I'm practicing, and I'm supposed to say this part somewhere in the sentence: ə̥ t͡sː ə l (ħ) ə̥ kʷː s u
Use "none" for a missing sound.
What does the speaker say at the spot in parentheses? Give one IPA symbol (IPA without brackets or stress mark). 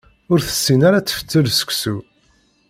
s